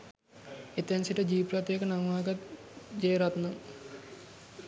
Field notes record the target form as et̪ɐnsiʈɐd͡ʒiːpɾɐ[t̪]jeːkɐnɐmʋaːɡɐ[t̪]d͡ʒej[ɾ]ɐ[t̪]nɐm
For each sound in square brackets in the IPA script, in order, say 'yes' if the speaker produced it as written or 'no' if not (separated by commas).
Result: yes, yes, yes, yes